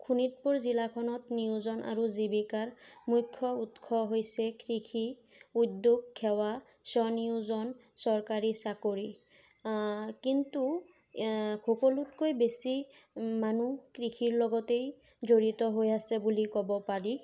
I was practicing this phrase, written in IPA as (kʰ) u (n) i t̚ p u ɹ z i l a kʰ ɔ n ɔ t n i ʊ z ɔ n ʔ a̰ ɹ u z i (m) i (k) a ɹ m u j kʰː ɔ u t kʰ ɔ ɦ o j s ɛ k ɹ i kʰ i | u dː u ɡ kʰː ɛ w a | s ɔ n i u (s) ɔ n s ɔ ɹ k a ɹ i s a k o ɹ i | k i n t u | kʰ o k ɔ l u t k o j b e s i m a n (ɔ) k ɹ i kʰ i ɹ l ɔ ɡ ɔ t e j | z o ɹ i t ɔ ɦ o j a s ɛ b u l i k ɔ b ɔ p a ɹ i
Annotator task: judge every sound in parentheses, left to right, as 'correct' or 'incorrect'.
correct, correct, incorrect: b, correct, incorrect: z, incorrect: u

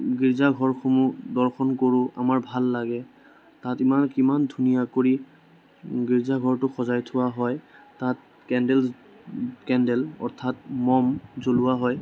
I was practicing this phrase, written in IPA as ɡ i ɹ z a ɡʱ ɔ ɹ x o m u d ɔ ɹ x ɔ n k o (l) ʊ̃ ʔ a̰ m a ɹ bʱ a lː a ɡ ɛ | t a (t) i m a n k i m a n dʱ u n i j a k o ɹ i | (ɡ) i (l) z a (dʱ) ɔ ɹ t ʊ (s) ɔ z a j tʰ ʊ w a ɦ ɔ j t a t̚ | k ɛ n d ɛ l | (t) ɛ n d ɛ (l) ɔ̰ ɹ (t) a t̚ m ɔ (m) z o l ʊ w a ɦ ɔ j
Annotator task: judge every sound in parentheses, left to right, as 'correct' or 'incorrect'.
incorrect: ɹ, correct, correct, incorrect: ɹ, incorrect: ɡʱ, incorrect: x, incorrect: k, correct, incorrect: tʰ, correct

